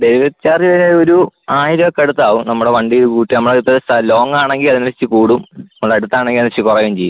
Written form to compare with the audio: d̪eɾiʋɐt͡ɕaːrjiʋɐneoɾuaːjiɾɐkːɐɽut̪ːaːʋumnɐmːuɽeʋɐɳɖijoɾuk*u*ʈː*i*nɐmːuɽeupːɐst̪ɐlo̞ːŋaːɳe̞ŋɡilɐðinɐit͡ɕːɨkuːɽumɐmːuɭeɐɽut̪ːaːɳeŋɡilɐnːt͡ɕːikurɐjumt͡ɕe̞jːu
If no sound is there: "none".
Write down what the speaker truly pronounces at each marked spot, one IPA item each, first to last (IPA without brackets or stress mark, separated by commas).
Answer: uː, i